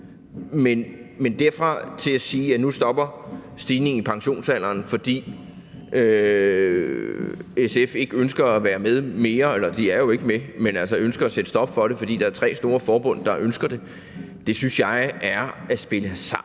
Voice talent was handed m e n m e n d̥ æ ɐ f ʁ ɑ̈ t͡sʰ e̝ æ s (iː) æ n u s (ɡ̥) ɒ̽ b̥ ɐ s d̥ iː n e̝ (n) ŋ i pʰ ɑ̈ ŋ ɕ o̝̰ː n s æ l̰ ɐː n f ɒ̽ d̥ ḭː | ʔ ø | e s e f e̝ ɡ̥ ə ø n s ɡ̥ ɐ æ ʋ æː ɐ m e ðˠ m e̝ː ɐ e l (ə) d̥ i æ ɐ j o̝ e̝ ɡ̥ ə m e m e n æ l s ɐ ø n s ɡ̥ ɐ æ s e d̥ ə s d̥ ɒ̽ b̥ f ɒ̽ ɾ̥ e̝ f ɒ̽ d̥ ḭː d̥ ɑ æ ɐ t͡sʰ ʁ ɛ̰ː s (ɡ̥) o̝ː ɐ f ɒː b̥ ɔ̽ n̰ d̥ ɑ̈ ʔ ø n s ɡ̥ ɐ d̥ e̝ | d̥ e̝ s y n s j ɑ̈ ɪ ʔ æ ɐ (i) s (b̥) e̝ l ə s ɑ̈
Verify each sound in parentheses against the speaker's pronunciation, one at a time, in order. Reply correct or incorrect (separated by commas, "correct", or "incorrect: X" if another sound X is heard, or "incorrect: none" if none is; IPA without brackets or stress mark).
correct, incorrect: d̥, incorrect: ŋ, incorrect: ɐ, incorrect: d̥, incorrect: æ, correct